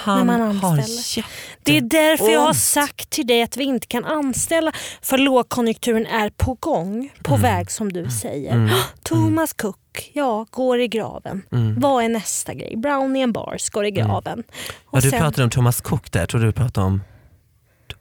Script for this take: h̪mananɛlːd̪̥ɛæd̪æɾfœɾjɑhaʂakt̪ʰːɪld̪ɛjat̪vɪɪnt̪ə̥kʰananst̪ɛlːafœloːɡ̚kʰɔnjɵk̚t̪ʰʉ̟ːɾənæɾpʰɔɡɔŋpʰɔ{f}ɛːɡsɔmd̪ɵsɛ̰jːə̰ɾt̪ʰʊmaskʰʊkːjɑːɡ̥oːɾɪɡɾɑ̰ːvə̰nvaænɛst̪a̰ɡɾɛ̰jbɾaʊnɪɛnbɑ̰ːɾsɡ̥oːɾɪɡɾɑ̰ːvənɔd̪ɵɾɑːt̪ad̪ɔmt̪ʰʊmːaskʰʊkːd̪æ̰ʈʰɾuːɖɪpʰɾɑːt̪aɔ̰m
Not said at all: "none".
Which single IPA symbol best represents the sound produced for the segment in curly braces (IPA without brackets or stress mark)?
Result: v